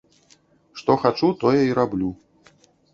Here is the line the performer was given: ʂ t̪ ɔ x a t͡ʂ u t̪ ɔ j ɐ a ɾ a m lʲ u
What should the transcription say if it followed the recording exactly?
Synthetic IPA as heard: ʂ t̪ ɔ x a t͡ʂ u t̪ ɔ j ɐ i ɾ a b lʲ u